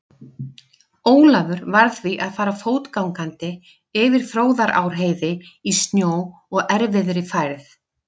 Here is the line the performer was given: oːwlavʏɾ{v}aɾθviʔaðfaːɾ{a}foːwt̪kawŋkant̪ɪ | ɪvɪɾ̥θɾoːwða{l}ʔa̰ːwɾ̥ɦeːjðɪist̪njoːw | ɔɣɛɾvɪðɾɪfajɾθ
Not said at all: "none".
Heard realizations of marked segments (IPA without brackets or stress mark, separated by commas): v, a, ɾ